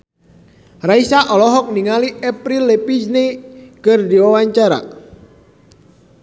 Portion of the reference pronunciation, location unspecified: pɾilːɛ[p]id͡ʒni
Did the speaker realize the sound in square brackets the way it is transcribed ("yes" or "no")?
yes